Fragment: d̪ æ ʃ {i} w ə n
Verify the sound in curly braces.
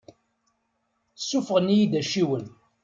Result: correct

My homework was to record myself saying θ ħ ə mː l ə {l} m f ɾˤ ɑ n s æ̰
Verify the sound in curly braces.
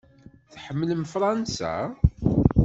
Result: incorrect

